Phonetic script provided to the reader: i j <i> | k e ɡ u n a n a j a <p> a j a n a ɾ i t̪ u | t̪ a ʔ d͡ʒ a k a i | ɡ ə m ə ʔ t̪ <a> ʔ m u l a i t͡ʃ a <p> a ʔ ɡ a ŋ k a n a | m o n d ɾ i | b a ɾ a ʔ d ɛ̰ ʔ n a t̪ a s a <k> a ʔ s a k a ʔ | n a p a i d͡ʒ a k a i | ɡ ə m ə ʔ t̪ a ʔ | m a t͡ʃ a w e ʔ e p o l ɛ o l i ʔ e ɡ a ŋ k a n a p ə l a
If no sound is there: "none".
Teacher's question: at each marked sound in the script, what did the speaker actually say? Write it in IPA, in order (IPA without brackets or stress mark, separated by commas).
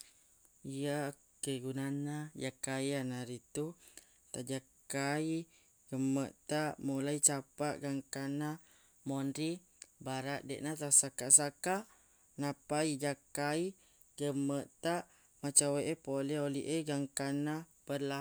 a, k, a, p, k